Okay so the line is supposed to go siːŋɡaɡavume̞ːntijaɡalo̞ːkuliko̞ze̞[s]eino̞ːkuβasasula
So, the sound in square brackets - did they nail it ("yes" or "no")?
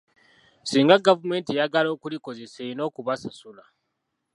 yes